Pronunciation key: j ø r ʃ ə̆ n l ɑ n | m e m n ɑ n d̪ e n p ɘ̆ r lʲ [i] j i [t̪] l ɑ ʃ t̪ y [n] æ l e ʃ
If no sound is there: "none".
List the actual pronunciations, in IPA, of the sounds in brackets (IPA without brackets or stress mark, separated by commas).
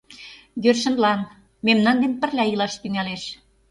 æ, none, ŋ